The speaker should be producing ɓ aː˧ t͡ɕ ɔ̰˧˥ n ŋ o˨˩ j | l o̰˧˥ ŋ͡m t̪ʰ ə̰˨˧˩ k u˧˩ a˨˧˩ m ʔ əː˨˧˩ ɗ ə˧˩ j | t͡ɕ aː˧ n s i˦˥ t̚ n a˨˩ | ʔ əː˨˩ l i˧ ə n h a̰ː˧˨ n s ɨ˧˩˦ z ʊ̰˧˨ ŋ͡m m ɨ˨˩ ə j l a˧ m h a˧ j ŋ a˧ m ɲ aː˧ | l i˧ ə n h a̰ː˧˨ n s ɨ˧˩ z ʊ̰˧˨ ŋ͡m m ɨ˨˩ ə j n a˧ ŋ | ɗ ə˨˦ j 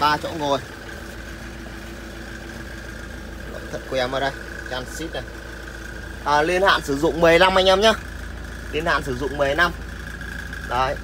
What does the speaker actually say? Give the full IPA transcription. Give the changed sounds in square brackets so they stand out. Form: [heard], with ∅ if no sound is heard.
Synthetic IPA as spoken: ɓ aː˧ t͡ɕ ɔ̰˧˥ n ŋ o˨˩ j | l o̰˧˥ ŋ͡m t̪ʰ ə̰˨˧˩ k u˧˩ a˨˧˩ m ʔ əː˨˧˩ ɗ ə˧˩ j | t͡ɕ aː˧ n s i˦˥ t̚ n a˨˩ | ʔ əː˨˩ l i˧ ə n h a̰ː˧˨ n s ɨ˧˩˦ z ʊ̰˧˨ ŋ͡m m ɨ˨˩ ə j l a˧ m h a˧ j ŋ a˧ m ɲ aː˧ | l i˧ ə n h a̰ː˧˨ n s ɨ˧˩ z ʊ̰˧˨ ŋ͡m m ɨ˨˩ ə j n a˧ [m] | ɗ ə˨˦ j